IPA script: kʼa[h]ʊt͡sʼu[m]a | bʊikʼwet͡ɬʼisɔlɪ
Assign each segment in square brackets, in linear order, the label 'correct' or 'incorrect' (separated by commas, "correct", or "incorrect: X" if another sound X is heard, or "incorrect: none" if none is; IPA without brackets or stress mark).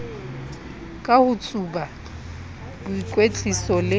correct, incorrect: b